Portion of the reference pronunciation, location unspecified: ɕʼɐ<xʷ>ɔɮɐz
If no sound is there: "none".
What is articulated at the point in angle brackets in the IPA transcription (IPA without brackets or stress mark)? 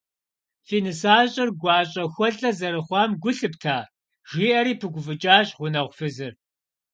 xʷ